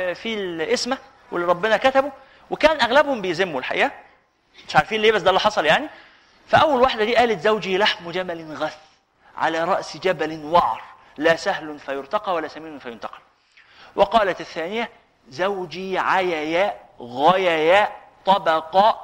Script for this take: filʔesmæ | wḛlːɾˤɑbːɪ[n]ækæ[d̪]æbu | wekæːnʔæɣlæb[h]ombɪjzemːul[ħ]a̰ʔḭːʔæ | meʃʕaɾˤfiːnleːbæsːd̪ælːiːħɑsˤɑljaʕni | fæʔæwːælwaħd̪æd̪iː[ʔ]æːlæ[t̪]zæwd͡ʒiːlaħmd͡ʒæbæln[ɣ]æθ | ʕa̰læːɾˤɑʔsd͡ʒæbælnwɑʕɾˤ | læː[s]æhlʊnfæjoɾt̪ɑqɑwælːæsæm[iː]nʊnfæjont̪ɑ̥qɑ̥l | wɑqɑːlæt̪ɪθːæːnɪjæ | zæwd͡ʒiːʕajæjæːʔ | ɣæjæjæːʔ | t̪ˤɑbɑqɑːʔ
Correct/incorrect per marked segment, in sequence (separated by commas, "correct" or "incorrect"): correct, incorrect, correct, correct, correct, correct, correct, correct, correct